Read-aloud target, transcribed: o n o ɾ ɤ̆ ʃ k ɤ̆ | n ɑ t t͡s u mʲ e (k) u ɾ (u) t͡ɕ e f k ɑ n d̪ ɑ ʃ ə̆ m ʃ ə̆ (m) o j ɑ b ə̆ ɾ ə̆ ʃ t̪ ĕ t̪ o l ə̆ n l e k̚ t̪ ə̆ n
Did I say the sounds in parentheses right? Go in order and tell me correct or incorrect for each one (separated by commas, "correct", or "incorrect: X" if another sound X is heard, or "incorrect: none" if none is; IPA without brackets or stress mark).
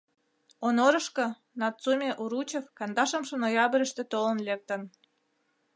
incorrect: ʔ, correct, incorrect: n